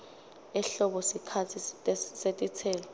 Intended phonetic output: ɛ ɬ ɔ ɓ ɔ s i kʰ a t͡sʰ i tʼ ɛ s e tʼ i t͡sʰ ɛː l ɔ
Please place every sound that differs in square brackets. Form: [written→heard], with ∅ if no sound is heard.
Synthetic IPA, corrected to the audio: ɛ ɬ ɔ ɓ ɔ s i kʰ a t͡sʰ i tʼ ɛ s e tʼ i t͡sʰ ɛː l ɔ